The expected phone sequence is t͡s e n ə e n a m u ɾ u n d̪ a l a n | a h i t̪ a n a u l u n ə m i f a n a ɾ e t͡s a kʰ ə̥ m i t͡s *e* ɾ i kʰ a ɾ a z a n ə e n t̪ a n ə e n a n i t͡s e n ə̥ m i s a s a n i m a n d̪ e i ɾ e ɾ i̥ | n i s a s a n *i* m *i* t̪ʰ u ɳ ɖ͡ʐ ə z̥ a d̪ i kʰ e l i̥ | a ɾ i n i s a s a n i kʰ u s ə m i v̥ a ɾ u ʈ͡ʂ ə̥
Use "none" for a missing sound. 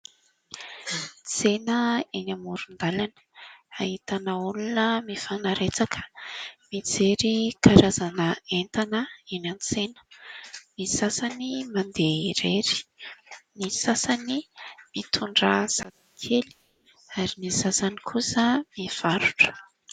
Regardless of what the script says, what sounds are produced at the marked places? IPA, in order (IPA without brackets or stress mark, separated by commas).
e, i, i